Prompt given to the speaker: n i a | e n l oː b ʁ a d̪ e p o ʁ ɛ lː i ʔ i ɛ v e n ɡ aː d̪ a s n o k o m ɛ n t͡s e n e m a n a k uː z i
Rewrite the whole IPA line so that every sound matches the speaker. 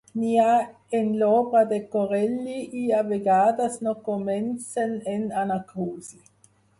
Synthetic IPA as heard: n i a | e n l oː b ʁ a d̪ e k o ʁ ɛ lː i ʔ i a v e ɡ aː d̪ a s n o k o m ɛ n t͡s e n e n a n a k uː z i